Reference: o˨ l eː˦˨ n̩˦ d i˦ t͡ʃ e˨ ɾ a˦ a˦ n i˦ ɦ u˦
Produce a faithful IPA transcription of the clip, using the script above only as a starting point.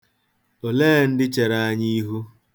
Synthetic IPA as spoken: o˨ l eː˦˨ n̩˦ d ɪ˦ t͡ʃ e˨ ɾ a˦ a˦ ɲ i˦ ɦ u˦